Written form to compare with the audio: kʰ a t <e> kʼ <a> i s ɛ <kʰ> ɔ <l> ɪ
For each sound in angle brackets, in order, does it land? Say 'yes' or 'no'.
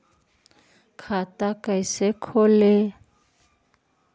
no, yes, yes, yes

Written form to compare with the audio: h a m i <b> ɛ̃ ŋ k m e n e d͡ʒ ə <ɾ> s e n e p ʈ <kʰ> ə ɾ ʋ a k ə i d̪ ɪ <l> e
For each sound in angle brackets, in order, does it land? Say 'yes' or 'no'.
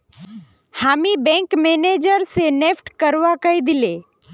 yes, yes, no, yes

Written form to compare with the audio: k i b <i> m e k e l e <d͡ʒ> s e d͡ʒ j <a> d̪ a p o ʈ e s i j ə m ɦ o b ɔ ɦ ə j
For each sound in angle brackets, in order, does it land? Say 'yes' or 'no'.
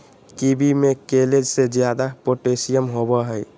yes, yes, yes

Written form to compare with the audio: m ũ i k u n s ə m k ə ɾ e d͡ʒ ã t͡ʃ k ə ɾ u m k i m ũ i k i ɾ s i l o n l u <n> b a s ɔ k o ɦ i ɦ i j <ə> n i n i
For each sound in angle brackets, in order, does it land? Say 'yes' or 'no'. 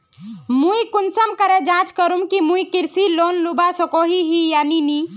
no, no

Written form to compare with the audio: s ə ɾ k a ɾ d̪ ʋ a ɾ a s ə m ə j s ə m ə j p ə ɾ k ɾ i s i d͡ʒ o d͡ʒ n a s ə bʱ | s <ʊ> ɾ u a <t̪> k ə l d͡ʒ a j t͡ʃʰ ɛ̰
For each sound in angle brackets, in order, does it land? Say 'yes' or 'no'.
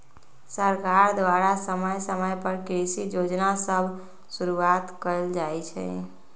no, yes

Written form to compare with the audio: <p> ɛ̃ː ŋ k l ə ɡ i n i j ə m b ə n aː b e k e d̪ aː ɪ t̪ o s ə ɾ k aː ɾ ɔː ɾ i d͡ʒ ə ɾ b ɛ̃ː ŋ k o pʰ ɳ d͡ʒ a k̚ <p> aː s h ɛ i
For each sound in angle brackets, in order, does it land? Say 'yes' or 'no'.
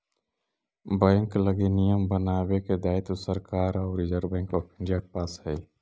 no, yes

